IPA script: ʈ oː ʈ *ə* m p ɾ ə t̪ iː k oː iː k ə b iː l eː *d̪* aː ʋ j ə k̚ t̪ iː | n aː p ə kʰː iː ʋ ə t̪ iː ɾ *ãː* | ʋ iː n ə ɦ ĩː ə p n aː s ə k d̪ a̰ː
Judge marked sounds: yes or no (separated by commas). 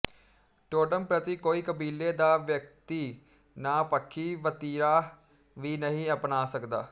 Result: yes, yes, no